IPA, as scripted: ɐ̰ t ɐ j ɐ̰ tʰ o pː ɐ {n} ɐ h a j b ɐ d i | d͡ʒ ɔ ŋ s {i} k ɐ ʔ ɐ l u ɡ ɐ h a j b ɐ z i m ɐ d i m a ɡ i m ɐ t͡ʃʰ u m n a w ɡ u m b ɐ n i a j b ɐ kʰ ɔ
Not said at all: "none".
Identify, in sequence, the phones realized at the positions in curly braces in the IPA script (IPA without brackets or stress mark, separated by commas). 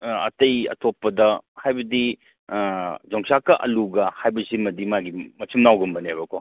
d, a